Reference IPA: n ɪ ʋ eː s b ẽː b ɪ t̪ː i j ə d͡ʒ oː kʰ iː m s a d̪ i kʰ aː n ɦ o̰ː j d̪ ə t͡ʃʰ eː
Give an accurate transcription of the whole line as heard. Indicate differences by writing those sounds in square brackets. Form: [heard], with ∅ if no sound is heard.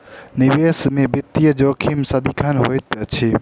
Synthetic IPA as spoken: n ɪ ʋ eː s [m] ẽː b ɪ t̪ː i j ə d͡ʒ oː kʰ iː m s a d̪ i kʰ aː n ɦ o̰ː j [t̪] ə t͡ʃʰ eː